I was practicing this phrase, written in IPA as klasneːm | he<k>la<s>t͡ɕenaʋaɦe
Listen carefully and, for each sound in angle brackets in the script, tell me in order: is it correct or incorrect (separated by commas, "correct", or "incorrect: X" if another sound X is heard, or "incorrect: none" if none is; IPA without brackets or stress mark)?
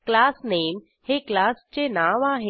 correct, correct